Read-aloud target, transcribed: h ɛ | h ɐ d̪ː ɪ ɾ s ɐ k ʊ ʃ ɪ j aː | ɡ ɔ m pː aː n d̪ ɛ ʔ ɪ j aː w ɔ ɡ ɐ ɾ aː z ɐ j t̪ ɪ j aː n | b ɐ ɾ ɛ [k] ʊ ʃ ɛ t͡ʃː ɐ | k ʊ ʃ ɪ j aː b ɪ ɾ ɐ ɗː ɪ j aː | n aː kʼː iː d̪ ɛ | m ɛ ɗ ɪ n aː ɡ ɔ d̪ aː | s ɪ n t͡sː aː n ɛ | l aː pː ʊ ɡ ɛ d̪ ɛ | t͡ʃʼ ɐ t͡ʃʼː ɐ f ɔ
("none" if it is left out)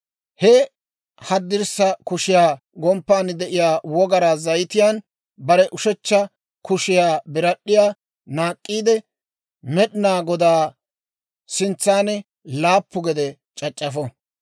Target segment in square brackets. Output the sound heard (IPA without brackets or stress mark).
ʔ